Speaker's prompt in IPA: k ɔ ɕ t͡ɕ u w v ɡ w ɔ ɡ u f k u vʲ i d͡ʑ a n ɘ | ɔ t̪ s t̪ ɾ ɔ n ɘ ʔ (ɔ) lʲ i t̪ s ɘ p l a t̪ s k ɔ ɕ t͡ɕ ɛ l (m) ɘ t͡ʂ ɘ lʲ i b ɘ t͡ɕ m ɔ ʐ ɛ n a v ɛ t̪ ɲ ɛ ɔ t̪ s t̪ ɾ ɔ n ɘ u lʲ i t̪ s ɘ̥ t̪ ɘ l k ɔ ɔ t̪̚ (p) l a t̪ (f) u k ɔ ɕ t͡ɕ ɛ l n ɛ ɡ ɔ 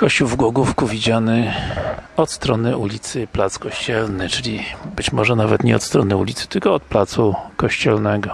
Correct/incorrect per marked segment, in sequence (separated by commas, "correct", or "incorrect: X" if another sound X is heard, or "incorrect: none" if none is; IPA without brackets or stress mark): incorrect: u, incorrect: n, correct, incorrect: s